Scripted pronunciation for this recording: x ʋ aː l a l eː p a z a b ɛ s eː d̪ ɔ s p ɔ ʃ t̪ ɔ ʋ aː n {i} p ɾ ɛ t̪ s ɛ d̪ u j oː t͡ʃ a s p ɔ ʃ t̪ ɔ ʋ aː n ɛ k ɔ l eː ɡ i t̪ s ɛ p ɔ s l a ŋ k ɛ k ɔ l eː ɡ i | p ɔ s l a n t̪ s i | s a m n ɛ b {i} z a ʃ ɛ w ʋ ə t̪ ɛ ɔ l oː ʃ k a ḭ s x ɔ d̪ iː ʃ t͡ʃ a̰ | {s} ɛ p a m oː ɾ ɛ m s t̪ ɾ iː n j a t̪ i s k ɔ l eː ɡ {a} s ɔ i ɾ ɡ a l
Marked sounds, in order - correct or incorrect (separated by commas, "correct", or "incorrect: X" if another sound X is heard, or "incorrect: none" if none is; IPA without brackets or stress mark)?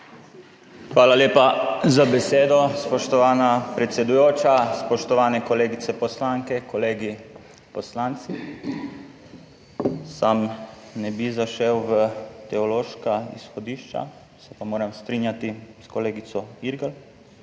incorrect: a, correct, correct, incorrect: i